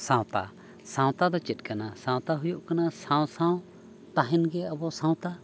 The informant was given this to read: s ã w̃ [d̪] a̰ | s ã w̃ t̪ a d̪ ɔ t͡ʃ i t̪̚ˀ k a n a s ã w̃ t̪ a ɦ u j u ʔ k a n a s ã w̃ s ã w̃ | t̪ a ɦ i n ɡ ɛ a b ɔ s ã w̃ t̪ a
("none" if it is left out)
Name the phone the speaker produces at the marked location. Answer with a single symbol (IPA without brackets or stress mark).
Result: t̪